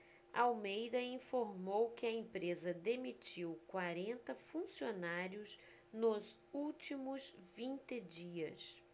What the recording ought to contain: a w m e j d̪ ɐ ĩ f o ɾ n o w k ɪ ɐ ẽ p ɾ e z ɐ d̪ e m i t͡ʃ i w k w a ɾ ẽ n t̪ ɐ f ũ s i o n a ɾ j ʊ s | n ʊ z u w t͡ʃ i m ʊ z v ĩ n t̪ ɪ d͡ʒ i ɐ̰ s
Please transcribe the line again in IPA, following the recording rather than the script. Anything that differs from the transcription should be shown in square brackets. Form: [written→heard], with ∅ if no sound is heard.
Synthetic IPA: a w m e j d̪ ɐ ĩ f o ɾ [n→m] o w k ɪ ɐ ẽ p ɾ e z ɐ d̪ e m i t͡ʃ i w k w a ɾ ẽ n t̪ ɐ f ũ s i o n a ɾ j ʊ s | n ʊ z u w t͡ʃ i m ʊ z v ĩ n t̪ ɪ d͡ʒ i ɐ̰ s